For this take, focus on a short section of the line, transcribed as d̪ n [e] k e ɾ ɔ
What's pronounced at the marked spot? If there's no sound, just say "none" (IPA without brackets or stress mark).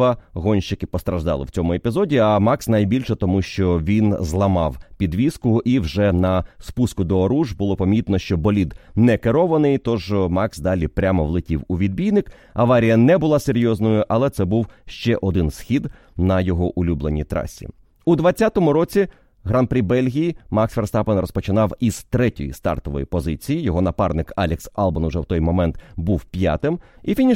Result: ɛ